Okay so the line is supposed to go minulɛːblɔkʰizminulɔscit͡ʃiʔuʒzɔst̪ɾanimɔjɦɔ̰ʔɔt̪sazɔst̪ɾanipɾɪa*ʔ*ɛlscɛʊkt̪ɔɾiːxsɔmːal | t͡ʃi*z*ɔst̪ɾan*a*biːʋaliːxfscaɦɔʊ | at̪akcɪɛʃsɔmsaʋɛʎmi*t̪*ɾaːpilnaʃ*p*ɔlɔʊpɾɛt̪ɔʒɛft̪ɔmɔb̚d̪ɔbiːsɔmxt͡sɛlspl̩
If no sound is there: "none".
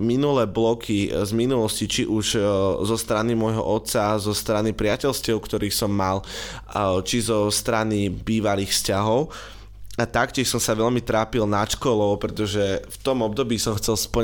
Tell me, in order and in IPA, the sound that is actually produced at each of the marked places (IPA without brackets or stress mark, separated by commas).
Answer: c, z, i, t̪, k